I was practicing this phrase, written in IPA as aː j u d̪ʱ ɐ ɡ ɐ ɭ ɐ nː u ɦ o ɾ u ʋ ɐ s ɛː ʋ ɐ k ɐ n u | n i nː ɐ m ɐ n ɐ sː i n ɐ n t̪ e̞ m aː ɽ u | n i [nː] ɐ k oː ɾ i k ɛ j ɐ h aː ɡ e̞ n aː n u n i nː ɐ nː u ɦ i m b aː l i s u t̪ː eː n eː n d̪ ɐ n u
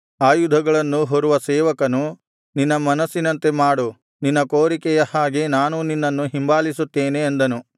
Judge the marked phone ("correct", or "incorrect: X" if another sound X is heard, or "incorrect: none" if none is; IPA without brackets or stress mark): correct